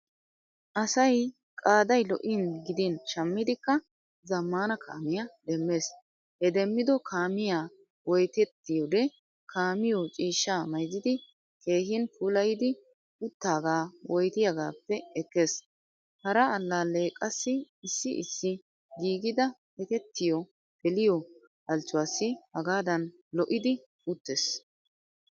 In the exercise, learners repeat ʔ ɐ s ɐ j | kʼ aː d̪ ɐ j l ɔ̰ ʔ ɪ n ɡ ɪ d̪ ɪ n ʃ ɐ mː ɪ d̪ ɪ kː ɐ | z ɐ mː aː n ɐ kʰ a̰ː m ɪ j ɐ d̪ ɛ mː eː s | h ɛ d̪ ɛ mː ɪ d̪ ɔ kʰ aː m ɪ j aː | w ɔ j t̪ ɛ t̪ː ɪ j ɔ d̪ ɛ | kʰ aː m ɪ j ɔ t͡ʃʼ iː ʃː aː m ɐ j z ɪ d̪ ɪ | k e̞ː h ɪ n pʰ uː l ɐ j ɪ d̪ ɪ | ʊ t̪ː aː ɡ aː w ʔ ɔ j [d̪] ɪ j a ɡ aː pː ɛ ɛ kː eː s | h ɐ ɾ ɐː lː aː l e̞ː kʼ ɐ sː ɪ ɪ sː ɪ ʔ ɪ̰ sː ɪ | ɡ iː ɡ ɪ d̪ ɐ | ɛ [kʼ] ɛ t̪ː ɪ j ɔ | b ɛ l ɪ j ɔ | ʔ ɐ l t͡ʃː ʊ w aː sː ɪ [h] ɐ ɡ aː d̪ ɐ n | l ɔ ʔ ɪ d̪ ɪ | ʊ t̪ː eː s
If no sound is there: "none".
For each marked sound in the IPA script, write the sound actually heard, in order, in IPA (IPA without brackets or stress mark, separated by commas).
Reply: t̪, k, h